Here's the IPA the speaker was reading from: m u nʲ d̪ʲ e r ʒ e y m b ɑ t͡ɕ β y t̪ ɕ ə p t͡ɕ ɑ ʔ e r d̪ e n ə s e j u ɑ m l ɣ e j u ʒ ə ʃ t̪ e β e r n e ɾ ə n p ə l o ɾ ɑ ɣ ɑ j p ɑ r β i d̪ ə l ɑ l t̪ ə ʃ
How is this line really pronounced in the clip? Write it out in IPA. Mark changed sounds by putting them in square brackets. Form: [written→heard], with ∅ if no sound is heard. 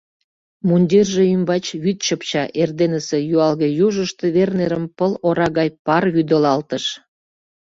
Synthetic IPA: m u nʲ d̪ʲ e r ʒ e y m b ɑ t͡ɕ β y t̪ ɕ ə p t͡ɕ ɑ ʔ e r d̪ e n ə s e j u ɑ [m→∅] l ɣ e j u ʒ ə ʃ t̪ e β e r n e ɾ ə [n→m] p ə l o ɾ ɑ ɣ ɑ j p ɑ r β [i→y] d̪ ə l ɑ l t̪ ə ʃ